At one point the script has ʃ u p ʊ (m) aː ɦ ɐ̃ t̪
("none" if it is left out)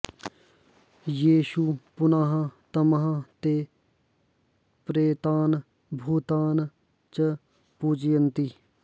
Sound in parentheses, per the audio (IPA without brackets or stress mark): n